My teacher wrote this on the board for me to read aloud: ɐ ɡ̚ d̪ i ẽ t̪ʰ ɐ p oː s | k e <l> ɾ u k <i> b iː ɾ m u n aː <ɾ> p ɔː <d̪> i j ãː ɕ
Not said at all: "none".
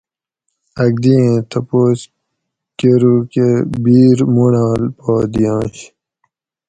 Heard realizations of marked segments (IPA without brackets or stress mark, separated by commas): none, e, l, d̪